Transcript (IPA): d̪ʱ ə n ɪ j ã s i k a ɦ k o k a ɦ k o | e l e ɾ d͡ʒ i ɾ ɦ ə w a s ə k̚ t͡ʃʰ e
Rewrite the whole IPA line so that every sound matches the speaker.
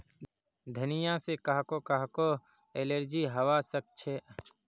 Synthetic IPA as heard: d̪ʱ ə n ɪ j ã s e k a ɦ k o k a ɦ k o | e l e ɾ d͡ʒ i ɦ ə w a s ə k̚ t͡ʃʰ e